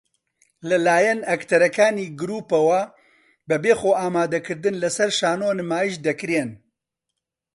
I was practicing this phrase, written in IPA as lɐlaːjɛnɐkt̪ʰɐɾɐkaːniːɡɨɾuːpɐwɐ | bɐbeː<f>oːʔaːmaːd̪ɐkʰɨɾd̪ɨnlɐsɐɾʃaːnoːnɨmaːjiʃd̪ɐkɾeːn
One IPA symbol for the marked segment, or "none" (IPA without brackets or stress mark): x